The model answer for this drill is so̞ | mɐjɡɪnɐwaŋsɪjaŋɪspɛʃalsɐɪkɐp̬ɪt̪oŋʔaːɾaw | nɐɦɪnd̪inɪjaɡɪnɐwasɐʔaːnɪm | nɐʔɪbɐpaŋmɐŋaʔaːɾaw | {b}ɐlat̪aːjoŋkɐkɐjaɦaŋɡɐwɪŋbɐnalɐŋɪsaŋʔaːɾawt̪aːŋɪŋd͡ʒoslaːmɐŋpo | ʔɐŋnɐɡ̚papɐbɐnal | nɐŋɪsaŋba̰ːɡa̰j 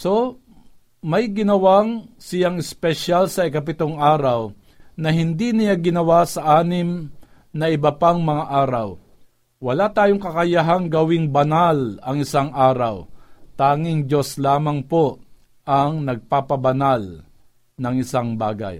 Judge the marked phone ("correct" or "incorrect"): incorrect